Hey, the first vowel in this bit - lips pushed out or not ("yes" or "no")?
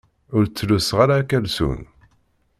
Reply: yes